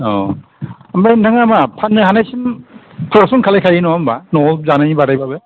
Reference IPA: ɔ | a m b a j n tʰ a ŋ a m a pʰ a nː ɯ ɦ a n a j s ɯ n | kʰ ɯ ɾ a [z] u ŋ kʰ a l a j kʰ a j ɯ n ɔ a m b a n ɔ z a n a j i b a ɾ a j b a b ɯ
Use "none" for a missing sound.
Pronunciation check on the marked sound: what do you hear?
s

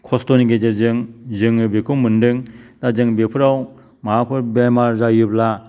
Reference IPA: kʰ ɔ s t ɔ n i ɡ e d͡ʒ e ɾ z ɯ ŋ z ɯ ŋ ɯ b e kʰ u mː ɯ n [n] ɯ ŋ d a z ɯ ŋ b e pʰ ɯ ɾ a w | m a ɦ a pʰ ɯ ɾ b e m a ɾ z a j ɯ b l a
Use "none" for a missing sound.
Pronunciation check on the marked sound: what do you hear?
d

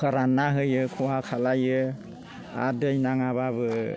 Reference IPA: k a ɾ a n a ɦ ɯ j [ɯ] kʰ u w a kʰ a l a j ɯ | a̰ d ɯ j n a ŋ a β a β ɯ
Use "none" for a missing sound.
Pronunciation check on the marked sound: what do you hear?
ɯ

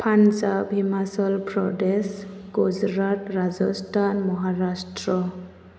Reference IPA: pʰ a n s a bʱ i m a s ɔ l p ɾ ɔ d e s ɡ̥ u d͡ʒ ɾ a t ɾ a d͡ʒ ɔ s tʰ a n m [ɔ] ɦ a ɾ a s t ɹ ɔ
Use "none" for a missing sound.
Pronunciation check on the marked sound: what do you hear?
ɔ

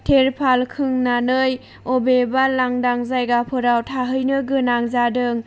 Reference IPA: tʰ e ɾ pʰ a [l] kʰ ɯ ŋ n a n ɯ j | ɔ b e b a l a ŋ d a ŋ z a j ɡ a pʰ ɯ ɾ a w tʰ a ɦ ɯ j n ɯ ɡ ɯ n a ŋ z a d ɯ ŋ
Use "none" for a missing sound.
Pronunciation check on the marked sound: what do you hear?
l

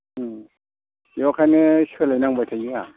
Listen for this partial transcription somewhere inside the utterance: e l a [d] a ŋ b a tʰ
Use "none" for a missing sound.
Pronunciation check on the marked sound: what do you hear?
n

